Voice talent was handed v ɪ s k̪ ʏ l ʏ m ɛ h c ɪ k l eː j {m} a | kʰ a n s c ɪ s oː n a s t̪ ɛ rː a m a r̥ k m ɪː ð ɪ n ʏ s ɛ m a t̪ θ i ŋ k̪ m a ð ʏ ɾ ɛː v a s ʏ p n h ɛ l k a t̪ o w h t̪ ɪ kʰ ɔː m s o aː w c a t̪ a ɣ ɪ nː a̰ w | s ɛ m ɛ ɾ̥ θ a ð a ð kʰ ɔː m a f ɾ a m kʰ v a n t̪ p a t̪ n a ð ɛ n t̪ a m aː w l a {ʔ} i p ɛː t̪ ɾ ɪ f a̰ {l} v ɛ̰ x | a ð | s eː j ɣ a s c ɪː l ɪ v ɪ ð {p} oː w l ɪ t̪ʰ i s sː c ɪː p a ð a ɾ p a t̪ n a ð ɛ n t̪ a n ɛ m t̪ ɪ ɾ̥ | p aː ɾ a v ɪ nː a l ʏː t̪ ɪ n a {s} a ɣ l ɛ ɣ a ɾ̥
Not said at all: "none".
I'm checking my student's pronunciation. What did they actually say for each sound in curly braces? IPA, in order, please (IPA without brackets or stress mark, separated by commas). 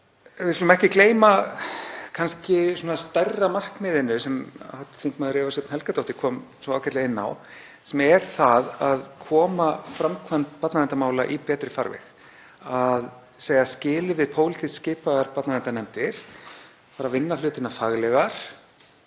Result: m, ʔ, ɾ, pʰ, f